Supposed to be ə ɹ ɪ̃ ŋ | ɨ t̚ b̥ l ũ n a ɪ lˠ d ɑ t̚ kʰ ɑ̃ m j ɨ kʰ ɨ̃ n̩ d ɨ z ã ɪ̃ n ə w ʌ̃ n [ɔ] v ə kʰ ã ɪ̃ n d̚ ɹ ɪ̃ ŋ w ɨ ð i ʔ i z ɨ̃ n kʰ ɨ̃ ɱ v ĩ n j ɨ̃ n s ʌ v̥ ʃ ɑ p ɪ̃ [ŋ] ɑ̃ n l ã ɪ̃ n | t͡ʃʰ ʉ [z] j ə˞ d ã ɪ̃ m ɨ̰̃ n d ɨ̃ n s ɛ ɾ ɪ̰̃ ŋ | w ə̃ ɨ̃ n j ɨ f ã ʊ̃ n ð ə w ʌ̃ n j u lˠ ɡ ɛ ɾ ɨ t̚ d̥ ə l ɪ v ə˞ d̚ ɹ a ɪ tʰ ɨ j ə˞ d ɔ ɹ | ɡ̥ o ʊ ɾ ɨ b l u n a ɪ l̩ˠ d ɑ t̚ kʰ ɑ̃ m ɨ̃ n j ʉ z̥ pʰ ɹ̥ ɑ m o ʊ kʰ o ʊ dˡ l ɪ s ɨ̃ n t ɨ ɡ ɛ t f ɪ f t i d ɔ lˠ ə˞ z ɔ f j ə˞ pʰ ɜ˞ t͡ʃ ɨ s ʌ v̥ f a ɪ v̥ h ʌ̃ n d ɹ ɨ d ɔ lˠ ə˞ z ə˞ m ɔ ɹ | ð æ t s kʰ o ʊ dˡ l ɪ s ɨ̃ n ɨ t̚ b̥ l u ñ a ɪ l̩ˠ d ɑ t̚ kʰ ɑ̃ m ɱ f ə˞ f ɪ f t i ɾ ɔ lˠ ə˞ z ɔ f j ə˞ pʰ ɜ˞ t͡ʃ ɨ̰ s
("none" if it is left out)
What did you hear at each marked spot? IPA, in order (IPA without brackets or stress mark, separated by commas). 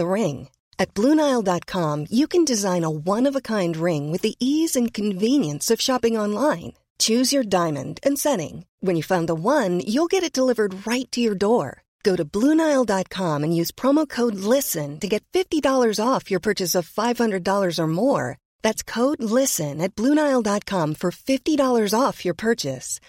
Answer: ʌ, ŋ, z